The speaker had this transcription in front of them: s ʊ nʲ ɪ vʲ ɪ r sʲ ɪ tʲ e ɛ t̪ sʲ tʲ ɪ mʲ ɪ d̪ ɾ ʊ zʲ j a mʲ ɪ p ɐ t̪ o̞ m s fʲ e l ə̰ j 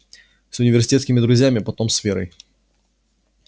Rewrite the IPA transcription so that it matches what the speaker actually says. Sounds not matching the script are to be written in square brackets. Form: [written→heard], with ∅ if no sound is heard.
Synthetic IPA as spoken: s ʊ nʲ ɪ vʲ ɪ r sʲ ɪ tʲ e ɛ t̪ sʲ [tʲ→kʲ] ɪ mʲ ɪ d̪ ɾ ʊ zʲ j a mʲ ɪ p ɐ t̪ o̞ m s fʲ e [l→ɾ] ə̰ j